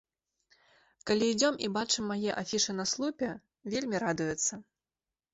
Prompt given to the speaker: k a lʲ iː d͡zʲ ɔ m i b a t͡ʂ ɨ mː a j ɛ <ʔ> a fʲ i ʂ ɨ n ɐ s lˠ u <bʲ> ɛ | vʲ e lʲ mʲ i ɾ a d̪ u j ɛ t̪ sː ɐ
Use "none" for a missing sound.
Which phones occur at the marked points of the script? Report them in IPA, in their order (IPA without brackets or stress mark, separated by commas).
ʔ, pʲ